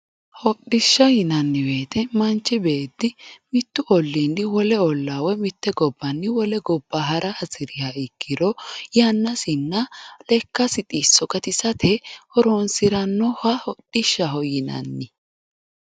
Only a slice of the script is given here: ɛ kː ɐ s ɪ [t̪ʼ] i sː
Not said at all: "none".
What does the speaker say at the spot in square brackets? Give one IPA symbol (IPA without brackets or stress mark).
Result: t̪ʼ